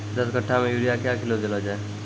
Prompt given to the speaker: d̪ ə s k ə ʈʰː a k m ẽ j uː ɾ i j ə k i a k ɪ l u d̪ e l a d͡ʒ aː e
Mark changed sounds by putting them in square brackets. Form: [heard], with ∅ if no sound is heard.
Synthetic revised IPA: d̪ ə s k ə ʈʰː a [∅] m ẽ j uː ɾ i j [a] k [j] a k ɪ l [o] d̪ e l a d͡ʒ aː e

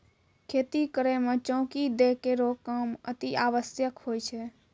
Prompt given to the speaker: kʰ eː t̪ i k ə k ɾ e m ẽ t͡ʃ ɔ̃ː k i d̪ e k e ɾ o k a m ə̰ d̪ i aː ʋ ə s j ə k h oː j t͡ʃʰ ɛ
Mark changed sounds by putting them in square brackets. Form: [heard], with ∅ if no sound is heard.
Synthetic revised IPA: kʰ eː t̪ i k ə [∅] ɾ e m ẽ t͡ʃ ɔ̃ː k i d̪ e k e ɾ o k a m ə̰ [t̪] i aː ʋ ə s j ə k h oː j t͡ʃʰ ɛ

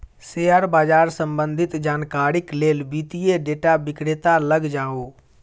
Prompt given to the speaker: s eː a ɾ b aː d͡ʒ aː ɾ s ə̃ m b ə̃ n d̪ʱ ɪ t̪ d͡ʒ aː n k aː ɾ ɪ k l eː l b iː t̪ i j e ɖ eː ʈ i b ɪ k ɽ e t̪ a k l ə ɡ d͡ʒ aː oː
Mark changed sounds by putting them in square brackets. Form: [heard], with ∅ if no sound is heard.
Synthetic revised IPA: s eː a ɾ b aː d͡ʒ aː ɾ s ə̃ m b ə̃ n d̪ʱ ɪ t̪ d͡ʒ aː n k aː ɾ ɪ k l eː l b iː t̪ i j e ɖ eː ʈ [a] b ɪ k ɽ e t̪ a [∅] l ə ɡ d͡ʒ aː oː

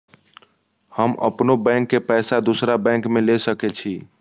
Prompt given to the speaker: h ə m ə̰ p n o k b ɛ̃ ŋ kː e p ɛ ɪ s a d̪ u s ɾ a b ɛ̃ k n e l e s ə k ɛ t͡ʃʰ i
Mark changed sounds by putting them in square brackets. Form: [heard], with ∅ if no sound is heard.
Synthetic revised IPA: h ə m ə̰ p n o [∅] b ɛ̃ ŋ kː e p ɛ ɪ s a d̪ u s ɾ a b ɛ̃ k [m] e l e s ə k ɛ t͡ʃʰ i

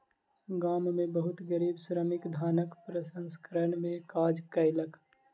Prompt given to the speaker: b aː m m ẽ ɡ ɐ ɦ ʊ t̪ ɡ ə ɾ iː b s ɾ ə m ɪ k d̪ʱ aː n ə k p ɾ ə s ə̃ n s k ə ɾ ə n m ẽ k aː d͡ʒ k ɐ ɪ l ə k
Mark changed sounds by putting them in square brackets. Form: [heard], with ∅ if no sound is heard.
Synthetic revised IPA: [ɡ] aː m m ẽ [b] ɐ ɦ ʊ t̪ ɡ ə ɾ iː b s ɾ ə m ɪ k d̪ʱ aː n ə k p ɾ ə s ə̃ n s k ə ɾ ə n m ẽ k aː d͡ʒ k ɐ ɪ l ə k

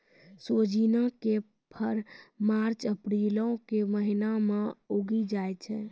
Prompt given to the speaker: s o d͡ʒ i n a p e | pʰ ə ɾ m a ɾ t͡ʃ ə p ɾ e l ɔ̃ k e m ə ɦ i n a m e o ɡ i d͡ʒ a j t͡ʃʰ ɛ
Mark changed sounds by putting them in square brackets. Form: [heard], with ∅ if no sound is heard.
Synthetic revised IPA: s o d͡ʒ i n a [k] e | pʰ ə ɾ m a ɾ t͡ʃ ə p ɾ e l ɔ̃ k e m ə ɦ i n a m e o ɡ i d͡ʒ a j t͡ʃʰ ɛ

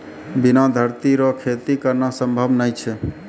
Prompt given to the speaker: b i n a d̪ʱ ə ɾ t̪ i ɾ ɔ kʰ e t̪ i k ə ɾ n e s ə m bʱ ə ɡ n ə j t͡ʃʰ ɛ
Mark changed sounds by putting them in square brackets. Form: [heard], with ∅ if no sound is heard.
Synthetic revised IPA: b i n a d̪ʱ ə ɾ t̪ i ɾ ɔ kʰ e t̪ i k ə ɾ n [a] s ə m bʱ ə [b] n ə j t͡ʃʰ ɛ

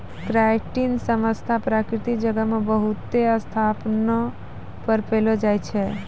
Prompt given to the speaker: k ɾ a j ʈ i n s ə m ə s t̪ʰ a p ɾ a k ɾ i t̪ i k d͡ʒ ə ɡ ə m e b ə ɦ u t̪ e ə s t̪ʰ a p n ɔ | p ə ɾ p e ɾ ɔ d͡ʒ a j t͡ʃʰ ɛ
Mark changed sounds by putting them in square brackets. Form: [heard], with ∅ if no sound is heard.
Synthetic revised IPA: k ɾ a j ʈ i n s ə m ə s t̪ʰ a p ɾ a k ɾ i t̪ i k d͡ʒ ə ɡ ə m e b ə ɦ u t̪ e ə s t̪ʰ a p n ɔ | p ə ɾ p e [l] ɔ d͡ʒ a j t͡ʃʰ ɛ

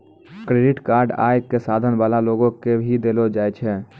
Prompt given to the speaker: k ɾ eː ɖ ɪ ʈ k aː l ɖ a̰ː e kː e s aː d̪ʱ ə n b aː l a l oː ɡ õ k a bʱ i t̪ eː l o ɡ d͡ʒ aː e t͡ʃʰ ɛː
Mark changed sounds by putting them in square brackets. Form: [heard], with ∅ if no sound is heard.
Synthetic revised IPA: k ɾ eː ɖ ɪ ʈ k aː [ɾ] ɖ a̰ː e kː e s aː d̪ʱ ə n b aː l a l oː ɡ õ k [e] bʱ i [d̪] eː l o [∅] d͡ʒ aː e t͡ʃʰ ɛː

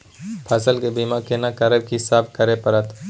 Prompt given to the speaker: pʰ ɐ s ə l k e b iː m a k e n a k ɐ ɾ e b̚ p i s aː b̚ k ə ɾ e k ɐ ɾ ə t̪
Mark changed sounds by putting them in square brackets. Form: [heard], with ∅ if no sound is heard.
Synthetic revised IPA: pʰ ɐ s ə l k e b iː m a k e n a k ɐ ɾ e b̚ [k] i s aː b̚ k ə ɾ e [p] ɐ ɾ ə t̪

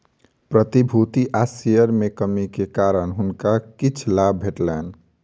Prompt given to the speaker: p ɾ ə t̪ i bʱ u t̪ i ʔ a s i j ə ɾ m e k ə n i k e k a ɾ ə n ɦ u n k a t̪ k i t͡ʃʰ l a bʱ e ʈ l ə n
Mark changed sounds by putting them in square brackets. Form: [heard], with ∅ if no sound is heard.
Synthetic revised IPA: p ɾ ə t̪ i bʱ u t̪ i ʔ a s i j ə ɾ m e k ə [m] i k e k a ɾ ə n ɦ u n k a [∅] k i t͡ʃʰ l a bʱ e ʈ l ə n

